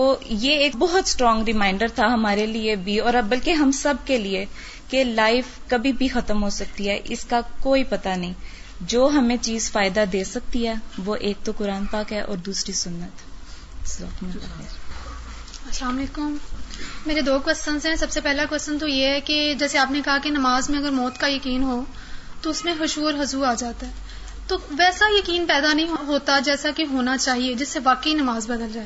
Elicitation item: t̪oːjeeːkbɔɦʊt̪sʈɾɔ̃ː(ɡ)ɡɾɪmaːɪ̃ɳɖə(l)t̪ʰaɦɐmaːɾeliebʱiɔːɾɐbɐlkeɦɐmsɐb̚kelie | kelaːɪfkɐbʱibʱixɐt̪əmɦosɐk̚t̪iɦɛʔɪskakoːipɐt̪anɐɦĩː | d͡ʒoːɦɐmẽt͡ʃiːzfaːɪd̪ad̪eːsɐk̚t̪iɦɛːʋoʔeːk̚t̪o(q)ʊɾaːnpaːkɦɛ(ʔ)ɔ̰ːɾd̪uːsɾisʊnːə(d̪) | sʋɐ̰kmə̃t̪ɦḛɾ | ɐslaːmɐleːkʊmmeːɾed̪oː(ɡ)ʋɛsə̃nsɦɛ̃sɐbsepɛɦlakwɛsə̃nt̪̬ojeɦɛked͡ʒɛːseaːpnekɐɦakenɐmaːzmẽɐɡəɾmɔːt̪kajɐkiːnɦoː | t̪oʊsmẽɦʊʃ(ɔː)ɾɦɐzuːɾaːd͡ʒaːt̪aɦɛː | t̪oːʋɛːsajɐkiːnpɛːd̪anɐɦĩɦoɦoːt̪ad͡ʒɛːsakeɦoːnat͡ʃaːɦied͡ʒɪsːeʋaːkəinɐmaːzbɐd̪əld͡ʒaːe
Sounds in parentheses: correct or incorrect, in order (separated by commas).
incorrect, incorrect, incorrect, correct, incorrect, incorrect, incorrect